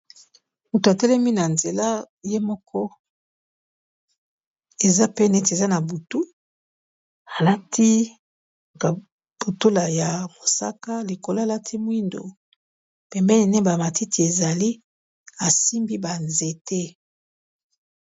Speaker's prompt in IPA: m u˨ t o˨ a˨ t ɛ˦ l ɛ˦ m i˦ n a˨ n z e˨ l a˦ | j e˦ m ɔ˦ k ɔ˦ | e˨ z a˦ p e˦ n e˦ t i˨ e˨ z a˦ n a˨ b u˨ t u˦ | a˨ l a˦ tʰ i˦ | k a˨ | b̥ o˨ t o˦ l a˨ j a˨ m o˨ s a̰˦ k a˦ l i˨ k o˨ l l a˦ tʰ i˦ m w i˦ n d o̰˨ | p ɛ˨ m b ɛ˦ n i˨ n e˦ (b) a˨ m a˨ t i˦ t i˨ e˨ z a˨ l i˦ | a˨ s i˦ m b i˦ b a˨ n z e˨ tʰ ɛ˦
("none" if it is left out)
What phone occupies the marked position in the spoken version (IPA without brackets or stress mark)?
b